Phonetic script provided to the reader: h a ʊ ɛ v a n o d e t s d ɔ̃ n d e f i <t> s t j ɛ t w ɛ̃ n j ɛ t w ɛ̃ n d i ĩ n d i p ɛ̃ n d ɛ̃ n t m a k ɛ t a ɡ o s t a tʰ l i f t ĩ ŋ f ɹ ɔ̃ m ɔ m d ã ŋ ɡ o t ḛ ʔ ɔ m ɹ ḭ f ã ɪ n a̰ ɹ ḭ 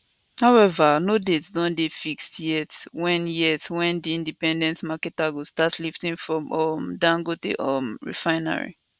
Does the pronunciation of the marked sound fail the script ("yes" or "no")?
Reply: yes